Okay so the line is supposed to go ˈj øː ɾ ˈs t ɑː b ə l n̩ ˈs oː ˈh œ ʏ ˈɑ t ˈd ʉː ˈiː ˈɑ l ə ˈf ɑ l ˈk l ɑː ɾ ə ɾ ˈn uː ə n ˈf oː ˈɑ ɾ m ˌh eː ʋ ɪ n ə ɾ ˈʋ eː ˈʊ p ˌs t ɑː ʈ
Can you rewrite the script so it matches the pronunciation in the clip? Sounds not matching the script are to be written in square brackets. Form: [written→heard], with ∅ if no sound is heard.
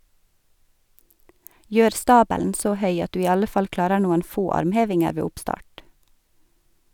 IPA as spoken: ˈj øː ɾ ˈs t ɑː b ə l n̩ ˈs oː ˈh œ ʏ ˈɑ t ˈd ʉː ˈiː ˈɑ l ə ˈf ɑ l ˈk l ɑː ɾ ə ɾ ˈn uː ə n ˈf oː ˈɑ ɾ m ˌh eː ʋ ɪ [n→ŋ] ə ɾ ˈʋ eː ˈʊ p ˌs t ɑː ʈ